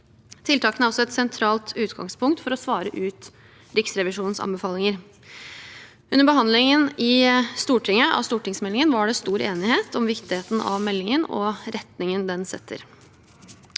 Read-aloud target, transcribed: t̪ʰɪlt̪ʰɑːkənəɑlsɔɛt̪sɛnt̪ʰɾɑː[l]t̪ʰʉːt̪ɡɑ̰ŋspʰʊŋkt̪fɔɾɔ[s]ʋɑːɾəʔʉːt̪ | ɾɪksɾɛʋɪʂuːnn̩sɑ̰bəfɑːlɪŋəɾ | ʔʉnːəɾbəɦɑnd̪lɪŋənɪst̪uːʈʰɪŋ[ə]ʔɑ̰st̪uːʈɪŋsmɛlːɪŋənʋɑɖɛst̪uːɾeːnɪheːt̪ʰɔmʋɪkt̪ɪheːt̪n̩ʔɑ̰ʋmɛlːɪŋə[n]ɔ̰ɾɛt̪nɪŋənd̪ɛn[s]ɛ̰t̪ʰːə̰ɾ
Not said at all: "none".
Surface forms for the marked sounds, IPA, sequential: l, s, ə, n, s

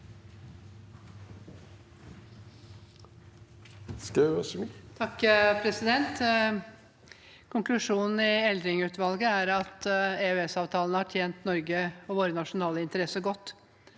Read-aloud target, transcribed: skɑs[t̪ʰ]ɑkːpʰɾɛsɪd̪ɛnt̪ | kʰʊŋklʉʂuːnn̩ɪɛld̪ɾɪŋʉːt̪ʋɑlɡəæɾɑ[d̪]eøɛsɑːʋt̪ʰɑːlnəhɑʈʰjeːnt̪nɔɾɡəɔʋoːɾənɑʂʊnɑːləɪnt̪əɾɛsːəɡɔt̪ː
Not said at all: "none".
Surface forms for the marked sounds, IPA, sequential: t̪ʰ, t̪

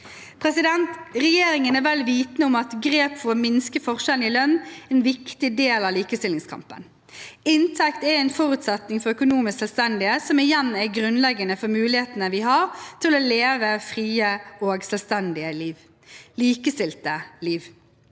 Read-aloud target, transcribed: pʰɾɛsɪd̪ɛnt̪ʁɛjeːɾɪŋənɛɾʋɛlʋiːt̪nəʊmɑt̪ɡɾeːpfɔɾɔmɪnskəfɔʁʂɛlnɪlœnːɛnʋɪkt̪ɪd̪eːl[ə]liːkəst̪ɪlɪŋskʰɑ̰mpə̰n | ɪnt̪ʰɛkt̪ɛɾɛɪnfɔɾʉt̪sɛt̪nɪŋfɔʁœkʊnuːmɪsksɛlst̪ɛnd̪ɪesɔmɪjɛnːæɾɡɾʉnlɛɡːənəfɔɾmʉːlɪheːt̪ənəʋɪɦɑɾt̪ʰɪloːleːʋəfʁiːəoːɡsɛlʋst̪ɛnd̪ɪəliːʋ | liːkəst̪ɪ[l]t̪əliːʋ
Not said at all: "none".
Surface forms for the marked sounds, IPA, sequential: ɑ, l

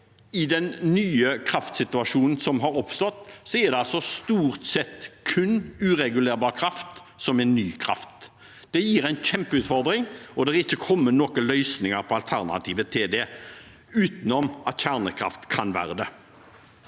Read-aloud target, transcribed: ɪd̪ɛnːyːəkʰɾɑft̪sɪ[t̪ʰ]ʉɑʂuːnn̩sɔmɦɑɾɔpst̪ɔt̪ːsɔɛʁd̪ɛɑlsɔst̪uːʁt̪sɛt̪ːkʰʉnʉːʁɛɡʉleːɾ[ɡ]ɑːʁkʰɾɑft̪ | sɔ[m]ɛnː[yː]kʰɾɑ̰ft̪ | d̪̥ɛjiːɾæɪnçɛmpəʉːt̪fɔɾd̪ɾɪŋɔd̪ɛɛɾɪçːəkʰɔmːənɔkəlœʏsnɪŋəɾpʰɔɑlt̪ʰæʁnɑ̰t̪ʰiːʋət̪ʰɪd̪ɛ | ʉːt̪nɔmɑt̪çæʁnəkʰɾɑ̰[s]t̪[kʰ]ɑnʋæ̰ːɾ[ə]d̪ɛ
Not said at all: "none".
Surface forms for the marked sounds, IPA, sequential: t̪, b, m, yː, f, kʰ, ə

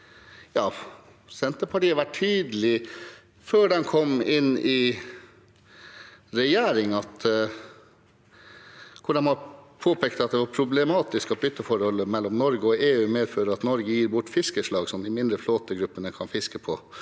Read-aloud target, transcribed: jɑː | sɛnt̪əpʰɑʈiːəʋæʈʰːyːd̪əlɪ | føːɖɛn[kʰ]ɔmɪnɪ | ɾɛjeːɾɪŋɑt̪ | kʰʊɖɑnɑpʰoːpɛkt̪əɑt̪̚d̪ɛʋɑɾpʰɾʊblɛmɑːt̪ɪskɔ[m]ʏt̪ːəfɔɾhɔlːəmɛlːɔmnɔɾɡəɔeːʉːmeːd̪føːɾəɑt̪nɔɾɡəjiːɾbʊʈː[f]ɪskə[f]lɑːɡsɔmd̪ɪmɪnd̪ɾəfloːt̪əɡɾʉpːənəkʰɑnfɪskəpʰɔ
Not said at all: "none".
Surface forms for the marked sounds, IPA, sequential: kʰ, b, f, ʂ

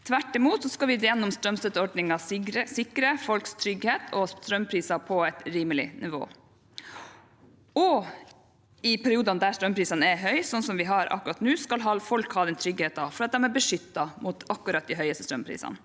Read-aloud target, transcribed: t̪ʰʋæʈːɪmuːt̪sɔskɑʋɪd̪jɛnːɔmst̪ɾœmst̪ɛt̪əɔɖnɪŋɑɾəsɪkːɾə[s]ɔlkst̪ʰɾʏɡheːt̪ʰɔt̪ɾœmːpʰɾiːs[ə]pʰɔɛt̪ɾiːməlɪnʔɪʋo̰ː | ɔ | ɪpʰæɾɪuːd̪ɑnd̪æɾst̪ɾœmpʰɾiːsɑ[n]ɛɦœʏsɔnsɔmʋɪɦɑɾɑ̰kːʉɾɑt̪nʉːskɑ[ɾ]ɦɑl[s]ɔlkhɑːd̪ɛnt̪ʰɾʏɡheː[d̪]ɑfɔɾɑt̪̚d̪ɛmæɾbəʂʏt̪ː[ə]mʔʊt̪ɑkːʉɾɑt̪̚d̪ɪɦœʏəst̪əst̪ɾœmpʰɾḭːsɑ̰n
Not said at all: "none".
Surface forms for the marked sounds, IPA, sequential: f, ɑ, n, l, f, t̪, ɑ

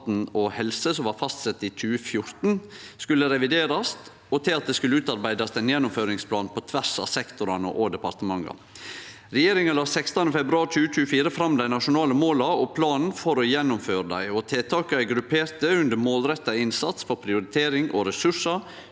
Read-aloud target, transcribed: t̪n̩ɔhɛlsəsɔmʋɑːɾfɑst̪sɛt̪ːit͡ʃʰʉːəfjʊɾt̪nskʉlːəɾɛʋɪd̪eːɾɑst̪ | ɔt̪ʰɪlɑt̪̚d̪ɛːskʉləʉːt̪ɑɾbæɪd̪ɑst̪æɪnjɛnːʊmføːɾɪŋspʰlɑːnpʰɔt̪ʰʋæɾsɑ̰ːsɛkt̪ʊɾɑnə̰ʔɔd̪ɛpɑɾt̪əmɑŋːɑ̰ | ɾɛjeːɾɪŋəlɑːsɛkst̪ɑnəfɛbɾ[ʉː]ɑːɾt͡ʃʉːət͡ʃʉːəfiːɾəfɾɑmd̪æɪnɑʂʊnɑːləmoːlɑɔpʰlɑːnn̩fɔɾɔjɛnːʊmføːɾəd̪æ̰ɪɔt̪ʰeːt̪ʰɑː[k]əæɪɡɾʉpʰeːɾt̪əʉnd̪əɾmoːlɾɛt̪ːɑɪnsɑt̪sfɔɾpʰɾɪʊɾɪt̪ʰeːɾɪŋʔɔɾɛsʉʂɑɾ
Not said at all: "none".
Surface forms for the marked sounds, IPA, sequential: ʉ, k

